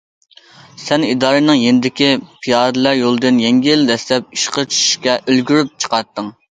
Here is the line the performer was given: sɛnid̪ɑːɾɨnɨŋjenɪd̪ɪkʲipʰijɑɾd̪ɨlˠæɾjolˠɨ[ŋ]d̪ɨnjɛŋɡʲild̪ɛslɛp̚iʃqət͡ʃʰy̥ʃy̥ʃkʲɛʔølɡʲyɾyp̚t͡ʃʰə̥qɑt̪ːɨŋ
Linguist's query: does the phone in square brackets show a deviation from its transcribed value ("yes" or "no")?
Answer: yes